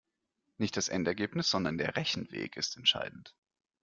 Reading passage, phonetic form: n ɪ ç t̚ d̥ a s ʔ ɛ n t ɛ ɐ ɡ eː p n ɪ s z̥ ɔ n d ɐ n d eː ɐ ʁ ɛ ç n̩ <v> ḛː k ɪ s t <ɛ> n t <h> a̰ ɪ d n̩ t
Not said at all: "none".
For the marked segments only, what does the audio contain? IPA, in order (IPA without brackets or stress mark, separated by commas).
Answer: v, ɛ, ʃ